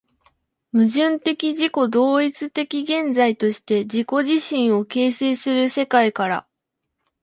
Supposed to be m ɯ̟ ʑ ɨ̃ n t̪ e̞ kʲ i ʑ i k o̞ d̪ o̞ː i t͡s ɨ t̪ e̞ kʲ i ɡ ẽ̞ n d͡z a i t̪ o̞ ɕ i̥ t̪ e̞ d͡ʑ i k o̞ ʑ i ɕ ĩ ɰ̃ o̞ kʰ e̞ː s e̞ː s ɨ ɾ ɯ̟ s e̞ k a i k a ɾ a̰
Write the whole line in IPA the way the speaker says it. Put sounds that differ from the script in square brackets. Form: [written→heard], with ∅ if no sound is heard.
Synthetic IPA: m ɯ̟ ʑ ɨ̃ n t̪ e̞ kʲ i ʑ i k o̞ d̪ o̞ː i t͡s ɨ t̪ e̞ kʲ i ɡ ẽ̞ n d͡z a i t̪ o̞ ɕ i̥ t̪ e̞ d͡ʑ i k o̞ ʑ i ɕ ĩ ɰ̃ o̞ [kʰ→k] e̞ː s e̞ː s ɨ ɾ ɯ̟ s e̞ k a i k a ɾ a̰